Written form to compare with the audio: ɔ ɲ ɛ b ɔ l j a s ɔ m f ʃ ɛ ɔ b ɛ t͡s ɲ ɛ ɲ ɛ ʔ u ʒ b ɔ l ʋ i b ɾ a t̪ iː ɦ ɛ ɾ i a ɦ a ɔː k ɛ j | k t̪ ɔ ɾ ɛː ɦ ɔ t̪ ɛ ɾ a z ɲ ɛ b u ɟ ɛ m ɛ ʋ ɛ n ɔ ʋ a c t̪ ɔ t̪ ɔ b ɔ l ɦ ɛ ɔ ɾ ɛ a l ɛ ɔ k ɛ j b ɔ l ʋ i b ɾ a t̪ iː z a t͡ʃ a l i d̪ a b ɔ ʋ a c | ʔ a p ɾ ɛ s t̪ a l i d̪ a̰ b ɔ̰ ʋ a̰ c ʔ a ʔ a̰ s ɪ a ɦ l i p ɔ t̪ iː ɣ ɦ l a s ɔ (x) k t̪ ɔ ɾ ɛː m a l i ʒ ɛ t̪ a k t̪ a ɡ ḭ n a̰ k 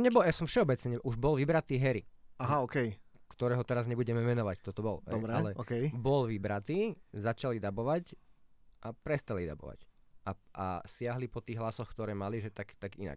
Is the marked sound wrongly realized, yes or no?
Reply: no